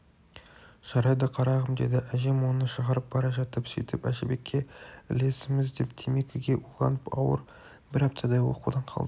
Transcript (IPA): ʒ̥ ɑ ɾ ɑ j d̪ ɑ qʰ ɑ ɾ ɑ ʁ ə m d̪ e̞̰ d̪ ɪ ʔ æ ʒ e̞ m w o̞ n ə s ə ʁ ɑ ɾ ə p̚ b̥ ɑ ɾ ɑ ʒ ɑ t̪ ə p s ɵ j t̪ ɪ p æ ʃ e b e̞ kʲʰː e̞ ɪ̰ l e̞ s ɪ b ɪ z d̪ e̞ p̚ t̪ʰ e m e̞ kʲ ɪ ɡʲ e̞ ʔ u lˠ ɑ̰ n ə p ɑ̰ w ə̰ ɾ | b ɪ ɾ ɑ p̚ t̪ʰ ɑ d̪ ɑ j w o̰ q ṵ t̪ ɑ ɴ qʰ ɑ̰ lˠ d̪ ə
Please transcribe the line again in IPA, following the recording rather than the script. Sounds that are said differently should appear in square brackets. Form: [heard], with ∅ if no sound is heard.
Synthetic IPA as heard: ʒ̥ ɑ ɾ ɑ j d̪ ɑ qʰ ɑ ɾ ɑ ʁ ə m d̪ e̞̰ d̪ ɪ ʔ æ ʒ e̞ m w o̞ n ə [ʃ] ə ʁ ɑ ɾ ə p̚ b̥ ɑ ɾ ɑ ʒ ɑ t̪ ə p s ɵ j t̪ ɪ p æ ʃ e b e̞ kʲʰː e̞ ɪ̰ l e̞ s ɪ [m] ɪ z d̪ e̞ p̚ t̪ʰ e m e̞ kʲ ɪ ɡʲ e̞ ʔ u lˠ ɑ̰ n ə p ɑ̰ w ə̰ ɾ | b ɪ ɾ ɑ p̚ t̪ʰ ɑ d̪ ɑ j w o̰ q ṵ [d̪] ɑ ɴ qʰ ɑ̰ lˠ d̪ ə